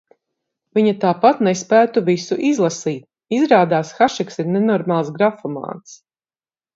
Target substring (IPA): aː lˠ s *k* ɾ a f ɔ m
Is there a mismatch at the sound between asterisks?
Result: yes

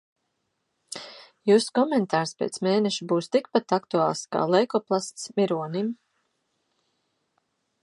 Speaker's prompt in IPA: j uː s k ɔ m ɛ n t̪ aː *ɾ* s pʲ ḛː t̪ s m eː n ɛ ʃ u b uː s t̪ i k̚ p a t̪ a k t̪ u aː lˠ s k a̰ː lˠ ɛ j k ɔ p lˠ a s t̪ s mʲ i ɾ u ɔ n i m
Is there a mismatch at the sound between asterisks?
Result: no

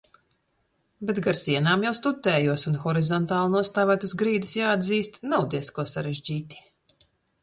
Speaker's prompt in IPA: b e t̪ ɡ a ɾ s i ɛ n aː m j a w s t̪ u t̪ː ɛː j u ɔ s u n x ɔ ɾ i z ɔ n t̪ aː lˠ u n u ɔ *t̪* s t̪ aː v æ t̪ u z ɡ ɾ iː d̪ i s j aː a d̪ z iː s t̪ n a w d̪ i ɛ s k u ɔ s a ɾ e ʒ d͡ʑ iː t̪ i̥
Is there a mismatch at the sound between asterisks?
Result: yes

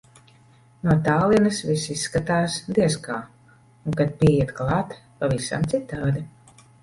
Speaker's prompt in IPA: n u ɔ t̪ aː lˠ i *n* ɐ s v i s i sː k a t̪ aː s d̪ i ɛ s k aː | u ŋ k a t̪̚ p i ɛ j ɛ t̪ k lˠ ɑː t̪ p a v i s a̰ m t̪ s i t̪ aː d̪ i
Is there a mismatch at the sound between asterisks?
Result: no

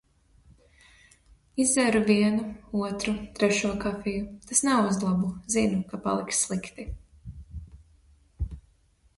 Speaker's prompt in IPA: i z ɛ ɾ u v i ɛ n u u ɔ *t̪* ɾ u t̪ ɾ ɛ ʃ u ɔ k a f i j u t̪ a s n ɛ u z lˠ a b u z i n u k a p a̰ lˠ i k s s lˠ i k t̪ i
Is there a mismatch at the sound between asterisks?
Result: no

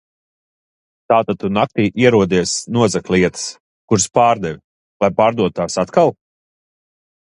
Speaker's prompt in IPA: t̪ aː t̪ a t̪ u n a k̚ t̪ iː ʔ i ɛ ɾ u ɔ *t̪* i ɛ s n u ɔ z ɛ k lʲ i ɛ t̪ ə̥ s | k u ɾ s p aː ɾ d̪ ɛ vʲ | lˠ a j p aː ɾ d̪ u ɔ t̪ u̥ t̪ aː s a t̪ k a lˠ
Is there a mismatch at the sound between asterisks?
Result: yes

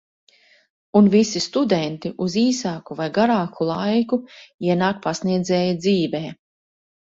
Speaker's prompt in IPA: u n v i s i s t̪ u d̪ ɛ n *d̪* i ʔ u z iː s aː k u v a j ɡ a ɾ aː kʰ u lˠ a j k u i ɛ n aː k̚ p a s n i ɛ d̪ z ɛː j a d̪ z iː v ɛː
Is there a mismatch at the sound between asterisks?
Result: yes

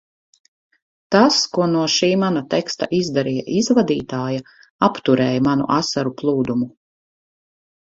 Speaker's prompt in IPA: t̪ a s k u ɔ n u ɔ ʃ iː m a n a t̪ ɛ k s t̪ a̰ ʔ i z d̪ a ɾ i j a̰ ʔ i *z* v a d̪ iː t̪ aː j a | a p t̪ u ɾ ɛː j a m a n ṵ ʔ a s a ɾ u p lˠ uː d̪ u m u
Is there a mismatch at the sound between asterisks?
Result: no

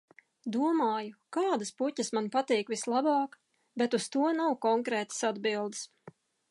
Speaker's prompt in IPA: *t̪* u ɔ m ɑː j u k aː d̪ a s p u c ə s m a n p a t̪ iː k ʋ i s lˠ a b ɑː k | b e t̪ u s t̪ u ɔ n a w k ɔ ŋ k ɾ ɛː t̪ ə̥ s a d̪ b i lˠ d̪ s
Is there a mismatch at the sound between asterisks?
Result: yes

